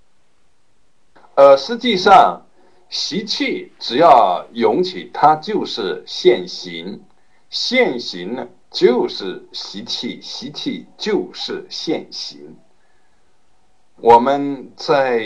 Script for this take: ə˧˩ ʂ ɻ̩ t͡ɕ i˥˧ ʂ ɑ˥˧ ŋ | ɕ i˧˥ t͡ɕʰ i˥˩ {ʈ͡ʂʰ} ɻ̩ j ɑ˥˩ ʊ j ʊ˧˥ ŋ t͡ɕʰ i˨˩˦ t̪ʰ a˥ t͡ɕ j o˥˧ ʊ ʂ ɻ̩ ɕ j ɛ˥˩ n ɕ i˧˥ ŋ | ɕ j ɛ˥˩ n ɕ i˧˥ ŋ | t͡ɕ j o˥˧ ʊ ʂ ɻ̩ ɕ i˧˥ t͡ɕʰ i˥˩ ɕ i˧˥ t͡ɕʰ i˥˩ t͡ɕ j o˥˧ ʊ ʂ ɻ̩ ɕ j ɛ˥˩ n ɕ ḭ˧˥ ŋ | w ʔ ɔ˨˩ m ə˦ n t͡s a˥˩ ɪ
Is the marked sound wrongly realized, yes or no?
yes